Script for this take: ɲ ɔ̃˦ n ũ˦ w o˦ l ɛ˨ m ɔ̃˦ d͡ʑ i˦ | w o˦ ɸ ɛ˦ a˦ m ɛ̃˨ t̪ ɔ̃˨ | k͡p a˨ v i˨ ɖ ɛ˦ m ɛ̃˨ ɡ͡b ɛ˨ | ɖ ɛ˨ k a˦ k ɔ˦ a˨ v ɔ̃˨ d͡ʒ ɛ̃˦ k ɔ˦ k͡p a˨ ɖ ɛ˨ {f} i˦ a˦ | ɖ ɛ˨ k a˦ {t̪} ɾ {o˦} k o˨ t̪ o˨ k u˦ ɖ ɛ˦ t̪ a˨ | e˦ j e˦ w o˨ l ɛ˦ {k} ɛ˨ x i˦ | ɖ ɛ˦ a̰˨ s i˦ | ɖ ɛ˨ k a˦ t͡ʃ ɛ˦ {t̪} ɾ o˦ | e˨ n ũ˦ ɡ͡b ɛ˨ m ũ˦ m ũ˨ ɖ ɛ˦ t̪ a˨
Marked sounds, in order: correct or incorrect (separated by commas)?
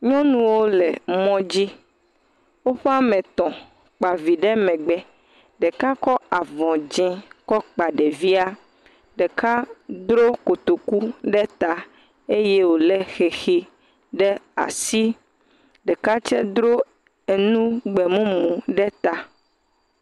incorrect, incorrect, correct, incorrect, incorrect